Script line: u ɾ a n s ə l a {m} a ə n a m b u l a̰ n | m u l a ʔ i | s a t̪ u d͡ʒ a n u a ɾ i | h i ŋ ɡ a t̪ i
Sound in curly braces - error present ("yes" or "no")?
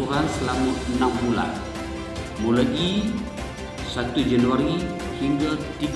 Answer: no